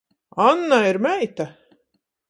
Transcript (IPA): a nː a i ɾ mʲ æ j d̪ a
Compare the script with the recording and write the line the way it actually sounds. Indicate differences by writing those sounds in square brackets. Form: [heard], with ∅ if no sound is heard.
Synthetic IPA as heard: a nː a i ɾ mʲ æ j [t̪] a